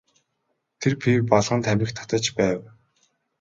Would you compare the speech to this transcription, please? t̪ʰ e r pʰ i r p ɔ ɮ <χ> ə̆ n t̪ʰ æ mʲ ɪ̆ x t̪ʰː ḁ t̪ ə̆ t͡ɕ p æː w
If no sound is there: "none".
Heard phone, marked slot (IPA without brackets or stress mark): ʁ